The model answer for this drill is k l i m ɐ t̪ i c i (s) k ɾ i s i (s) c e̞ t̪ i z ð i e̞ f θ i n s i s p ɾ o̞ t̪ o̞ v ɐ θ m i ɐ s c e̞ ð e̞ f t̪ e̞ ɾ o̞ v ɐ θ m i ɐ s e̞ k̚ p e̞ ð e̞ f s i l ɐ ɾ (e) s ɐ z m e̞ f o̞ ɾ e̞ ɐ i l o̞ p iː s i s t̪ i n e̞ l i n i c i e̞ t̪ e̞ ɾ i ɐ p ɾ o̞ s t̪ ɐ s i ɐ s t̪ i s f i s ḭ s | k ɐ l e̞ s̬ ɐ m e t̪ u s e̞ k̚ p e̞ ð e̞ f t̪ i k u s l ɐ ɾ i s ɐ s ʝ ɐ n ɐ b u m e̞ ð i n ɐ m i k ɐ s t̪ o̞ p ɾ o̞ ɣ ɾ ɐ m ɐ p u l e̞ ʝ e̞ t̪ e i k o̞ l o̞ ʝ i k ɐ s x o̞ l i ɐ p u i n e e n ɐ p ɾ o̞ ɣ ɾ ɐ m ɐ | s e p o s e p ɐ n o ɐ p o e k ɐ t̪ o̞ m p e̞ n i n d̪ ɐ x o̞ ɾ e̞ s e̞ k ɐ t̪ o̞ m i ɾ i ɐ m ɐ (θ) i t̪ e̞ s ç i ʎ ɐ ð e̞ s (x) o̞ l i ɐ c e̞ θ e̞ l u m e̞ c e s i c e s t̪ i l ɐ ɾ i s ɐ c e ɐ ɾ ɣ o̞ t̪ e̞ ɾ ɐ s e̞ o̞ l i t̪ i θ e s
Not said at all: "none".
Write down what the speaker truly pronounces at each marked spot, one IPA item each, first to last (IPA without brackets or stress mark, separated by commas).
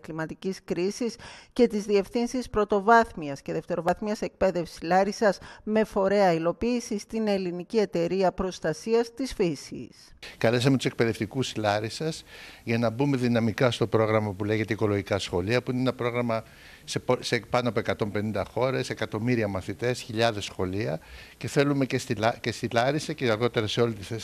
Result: s, s, i, θ, x